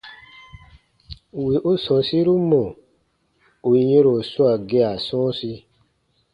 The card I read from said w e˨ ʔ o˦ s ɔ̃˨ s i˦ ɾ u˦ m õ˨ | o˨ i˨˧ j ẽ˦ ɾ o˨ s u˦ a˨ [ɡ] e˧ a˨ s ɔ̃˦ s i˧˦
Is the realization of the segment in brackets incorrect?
no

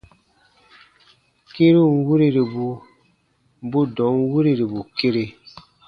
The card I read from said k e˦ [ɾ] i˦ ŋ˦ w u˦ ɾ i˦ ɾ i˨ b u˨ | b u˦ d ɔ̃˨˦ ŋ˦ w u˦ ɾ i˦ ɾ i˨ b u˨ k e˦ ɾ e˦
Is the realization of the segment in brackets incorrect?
no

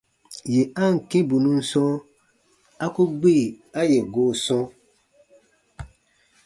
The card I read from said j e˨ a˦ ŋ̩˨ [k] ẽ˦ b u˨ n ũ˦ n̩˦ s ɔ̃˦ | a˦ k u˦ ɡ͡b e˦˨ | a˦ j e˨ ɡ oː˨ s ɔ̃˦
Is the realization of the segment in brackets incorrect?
no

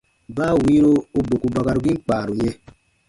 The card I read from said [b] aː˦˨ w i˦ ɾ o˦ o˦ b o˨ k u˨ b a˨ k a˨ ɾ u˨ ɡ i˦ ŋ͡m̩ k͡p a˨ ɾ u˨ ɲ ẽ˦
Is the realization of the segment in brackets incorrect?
no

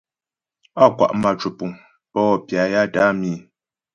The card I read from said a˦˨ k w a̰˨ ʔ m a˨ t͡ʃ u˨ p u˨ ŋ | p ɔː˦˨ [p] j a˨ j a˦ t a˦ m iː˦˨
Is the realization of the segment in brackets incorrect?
no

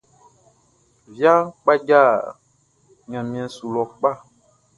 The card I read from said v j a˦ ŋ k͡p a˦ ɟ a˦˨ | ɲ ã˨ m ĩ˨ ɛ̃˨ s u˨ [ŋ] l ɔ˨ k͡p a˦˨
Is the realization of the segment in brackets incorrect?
yes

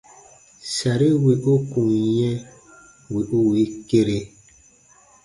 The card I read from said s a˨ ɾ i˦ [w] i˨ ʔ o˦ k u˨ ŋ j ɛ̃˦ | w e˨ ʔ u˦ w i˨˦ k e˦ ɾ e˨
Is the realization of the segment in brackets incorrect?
no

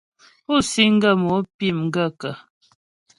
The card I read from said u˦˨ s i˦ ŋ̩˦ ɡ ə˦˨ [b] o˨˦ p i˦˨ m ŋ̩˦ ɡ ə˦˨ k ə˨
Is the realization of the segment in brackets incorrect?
yes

